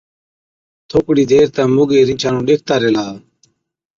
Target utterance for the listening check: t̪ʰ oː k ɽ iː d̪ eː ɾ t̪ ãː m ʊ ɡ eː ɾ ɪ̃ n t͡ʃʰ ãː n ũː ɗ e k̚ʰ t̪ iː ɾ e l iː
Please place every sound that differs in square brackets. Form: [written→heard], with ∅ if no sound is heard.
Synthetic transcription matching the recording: t̪ʰ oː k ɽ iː d̪ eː ɾ t̪ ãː m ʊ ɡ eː ɾ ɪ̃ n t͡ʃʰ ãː n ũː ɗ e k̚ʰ t̪ [iː→aː] ɾ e l [iː→aː]